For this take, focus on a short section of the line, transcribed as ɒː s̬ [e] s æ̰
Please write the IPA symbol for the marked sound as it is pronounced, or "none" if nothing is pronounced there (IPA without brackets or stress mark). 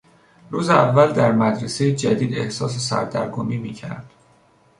e